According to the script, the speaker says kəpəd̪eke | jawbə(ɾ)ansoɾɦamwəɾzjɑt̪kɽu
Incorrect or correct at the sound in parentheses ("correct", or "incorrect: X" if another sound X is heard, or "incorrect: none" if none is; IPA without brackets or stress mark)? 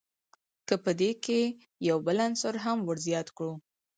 incorrect: l